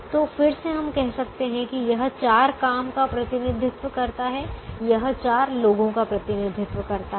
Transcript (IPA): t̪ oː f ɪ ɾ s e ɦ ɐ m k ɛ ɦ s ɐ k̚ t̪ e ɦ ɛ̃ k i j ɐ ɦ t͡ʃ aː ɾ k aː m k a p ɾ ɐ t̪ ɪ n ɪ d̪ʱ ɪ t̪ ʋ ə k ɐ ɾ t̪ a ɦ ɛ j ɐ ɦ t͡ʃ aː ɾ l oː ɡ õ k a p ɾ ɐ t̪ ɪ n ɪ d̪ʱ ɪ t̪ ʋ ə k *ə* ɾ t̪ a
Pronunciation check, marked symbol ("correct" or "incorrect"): incorrect